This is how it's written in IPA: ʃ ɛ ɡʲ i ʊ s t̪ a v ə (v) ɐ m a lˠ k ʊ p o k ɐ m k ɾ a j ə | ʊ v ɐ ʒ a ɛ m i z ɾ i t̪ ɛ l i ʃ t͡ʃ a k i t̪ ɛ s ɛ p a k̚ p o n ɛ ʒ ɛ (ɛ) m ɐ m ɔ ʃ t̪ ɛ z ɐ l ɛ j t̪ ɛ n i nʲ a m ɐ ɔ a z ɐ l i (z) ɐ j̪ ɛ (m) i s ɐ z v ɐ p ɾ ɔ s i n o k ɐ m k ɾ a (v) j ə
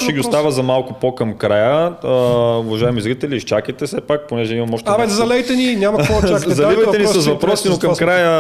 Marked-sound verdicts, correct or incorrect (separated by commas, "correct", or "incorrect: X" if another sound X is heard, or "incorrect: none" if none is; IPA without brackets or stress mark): incorrect: z, incorrect: i, incorrect: v, incorrect: n, incorrect: none